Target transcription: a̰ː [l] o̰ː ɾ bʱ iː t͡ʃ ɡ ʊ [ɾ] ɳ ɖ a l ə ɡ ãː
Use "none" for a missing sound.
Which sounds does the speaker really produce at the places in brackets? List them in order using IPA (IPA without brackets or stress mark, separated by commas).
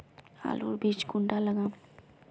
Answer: l, none